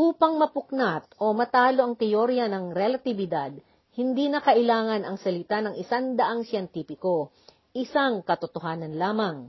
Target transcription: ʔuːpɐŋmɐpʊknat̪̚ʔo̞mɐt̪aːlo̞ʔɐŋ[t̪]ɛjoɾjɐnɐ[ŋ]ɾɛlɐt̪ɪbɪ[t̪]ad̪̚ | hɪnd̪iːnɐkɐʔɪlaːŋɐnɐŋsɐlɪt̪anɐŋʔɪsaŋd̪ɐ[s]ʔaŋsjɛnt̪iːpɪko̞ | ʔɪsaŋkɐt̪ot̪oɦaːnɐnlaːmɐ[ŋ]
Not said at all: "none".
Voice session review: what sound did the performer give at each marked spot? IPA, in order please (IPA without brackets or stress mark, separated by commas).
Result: t̪, ŋ, d̪, none, ŋ